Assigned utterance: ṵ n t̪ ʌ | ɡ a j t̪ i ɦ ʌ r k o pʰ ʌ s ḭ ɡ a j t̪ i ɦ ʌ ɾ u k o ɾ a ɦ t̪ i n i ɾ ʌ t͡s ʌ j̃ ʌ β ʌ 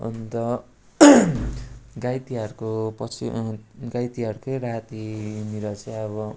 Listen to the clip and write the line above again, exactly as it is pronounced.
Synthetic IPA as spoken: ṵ n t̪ ʌ | ɡ a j t̪ i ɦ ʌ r k o p ʌ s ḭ ɡ a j t̪ i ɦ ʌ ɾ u k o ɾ a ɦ t̪ i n i ɾ ʌ t͡s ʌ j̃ ʌ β ʌ